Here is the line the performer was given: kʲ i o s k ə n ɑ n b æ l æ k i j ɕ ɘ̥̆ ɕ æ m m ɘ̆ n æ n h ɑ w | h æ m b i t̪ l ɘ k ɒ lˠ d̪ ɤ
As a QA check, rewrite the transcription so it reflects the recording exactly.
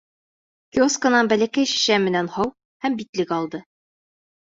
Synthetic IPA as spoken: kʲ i o s k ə n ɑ n b æ l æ k æ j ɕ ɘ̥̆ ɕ æ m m ɘ̆ n æ n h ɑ w | h æ m b i t̪ l ɘ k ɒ lˠ d̪ ɤ